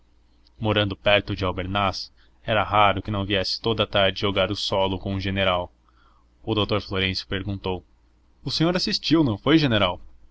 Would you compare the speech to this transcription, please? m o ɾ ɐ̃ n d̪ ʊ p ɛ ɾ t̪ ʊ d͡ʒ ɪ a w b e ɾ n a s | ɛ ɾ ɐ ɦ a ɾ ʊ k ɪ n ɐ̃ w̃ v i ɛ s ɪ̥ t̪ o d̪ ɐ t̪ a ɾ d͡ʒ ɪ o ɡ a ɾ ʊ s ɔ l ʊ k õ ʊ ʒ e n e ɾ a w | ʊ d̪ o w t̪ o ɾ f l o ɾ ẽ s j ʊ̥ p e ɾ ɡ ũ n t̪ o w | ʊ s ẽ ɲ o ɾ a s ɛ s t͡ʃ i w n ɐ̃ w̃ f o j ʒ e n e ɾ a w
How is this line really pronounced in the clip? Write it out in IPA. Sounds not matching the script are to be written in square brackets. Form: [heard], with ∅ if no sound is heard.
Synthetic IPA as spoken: m o ɾ ɐ̃ n d̪ ʊ p ɛ ɾ t̪ ʊ d͡ʒ ɪ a w b e ɾ n a s | ɛ ɾ ɐ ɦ a ɾ ʊ k ɪ n ɐ̃ w̃ v i ɛ s ɪ̥ t̪ o d̪ ɐ t̪ a ɾ d͡ʒ ɪ o ɡ a ɾ ʊ s ɔ l ʊ k õ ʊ ʒ e n e ɾ a w | ʊ d̪ o w t̪ o ɾ f l o ɾ ẽ s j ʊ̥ p e ɾ ɡ ũ n t̪ o w | ʊ s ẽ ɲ o ɾ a s [i] s t͡ʃ i w n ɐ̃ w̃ f o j ʒ e n e ɾ a w

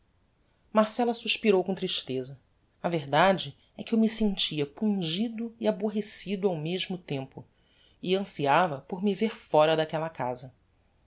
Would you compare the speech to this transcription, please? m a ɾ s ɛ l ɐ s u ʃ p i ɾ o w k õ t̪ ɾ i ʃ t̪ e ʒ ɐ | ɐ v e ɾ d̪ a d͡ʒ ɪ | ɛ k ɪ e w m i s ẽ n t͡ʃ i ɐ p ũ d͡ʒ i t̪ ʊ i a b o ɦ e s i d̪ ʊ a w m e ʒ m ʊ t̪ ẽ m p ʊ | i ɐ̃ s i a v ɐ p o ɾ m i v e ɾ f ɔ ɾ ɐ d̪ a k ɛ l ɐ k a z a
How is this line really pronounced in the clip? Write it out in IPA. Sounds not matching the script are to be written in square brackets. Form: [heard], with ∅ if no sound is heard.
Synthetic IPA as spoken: m a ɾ s ɛ l ɐ s u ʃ p i ɾ o w k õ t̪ ɾ i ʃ t̪ e [z] ɐ | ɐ v e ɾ d̪ a d͡ʒ ɪ | ɛ k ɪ e w m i s ẽ n t͡ʃ i ɐ p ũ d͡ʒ i [d̪] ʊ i a b o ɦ e s i d̪ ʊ a w m e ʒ m ʊ t̪ ẽ m p ʊ | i ɐ̃ s i a v ɐ p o ɾ m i v e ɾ f ɔ ɾ ɐ d̪ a k ɛ l ɐ k a z [ɐ]

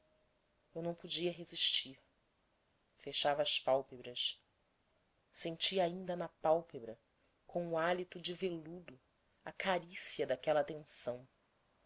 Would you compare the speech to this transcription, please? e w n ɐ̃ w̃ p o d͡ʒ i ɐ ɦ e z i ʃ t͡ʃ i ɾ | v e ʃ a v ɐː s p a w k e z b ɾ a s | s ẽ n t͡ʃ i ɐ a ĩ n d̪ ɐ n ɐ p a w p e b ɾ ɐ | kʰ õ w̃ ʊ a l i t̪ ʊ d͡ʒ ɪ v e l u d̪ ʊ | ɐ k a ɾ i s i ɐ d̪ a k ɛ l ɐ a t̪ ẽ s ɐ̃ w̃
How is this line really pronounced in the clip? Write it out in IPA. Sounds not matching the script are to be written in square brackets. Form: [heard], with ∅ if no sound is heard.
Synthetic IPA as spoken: e w n ɐ̃ w̃ p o d͡ʒ i ɐ ɦ e z i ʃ t͡ʃ i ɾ | [f] e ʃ a v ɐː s p a w [p] e [∅] b ɾ [ɐ] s | s ẽ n t͡ʃ i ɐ a ĩ n d̪ ɐ n ɐ p a w p e b ɾ ɐ | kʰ õ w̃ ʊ a l i t̪ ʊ d͡ʒ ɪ v e l u d̪ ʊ | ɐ k a ɾ i s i ɐ d̪ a k ɛ l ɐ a t̪ ẽ s ɐ̃ w̃

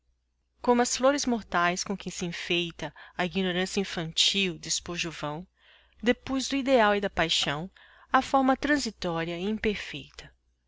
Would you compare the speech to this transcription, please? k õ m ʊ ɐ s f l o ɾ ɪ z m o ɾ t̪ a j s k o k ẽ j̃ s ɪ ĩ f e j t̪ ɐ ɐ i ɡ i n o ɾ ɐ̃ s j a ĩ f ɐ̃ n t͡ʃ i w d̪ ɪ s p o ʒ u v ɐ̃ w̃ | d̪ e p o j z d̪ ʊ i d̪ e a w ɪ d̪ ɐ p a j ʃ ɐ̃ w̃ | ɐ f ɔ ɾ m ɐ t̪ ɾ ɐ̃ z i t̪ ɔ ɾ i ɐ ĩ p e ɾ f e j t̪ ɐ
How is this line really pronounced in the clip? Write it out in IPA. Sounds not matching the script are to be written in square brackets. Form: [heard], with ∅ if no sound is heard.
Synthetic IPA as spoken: k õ m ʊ ɐ s f l o ɾ ɪ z m o ɾ t̪ a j s k [õ] k ẽ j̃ s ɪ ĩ f e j t̪ ɐ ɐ i ɡ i n o ɾ ɐ̃ s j [ɐ] ĩ f ɐ̃ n t͡ʃ i w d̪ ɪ s p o ʒ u v ɐ̃ w̃ | d̪ e p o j z d̪ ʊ i d̪ e a w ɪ d̪ ɐ p a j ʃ ɐ̃ w̃ | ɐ f ɔ ɾ m ɐ t̪ ɾ ɐ̃ z i t̪ ɔ ɾ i ɐ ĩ p e ɾ f e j t̪ ɐ

